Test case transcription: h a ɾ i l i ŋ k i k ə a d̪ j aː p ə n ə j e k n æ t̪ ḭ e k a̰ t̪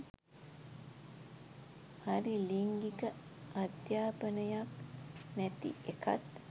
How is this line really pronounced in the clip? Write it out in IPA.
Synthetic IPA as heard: h a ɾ i l i ŋ ɡ i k ə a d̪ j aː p ə n ə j a k n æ t̪ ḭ e k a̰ t̪